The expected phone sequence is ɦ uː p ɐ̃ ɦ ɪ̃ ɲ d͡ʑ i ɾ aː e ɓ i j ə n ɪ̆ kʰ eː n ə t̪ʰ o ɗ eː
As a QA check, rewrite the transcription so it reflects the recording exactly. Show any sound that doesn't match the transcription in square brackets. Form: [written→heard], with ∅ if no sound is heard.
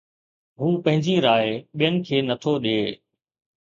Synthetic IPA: ɦ uː p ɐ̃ ɦ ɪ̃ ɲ d͡ʑ i ɾ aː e ɓ i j ə n ɪ̆ kʰ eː n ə t̪ʰ o ɗ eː